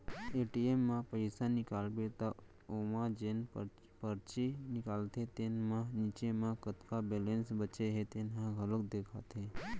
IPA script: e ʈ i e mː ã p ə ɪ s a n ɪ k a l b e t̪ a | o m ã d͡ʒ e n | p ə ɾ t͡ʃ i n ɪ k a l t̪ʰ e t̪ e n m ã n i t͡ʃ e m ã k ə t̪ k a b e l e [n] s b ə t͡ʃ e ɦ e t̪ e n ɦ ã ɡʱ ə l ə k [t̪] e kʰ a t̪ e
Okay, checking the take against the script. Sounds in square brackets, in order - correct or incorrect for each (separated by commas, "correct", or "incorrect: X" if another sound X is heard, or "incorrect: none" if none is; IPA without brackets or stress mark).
correct, incorrect: d̪